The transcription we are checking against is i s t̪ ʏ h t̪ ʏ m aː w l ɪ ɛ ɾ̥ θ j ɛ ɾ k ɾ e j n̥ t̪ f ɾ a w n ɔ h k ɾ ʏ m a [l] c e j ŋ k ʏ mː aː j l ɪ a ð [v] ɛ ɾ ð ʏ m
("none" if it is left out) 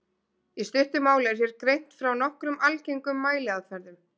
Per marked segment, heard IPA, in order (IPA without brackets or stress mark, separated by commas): l, f